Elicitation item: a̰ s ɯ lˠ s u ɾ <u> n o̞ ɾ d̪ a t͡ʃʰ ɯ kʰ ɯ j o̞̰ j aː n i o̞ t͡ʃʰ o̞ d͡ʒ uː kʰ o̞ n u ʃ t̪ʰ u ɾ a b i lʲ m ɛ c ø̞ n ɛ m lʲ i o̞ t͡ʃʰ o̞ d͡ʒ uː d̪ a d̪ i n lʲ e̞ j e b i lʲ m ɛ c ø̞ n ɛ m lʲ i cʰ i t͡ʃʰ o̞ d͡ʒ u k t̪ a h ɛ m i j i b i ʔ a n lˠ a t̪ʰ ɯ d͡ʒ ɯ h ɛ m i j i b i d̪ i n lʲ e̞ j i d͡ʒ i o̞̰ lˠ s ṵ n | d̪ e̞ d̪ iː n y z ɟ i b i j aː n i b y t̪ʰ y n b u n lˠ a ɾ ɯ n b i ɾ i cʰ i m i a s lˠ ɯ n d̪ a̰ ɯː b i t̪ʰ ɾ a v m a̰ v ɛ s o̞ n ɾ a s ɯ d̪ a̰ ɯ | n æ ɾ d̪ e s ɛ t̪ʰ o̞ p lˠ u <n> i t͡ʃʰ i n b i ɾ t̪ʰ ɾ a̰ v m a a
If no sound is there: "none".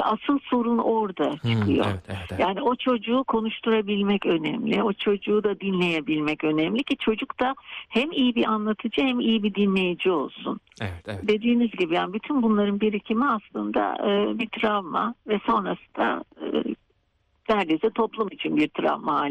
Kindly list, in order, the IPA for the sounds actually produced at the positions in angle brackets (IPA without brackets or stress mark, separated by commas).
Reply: u, m